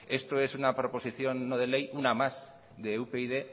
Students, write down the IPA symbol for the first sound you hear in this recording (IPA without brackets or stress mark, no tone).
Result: e̞